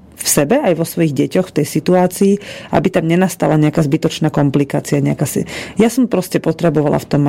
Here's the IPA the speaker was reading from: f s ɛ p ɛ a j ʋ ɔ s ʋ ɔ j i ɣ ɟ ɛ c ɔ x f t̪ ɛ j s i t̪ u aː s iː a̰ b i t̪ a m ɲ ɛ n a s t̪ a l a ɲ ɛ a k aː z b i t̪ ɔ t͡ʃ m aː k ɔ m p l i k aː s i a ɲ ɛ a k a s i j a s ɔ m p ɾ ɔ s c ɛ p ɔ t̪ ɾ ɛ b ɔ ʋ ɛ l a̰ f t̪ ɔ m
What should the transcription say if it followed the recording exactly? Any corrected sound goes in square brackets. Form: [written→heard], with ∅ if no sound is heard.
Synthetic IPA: f s ɛ [p→b] ɛ a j ʋ ɔ s ʋ ɔ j i ɣ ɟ ɛ c ɔ x f t̪ ɛ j s i t̪ u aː [s→t͡s] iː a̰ b i t̪ a m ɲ ɛ n a s t̪ a l a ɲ ɛ a k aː z b i t̪ ɔ t͡ʃ [m→n] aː k ɔ m p l i k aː [s→t͡s] i a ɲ ɛ a k a s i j a s ɔ m p ɾ ɔ s c ɛ p ɔ t̪ ɾ ɛ b ɔ ʋ [ɛ→a] l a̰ f t̪ ɔ m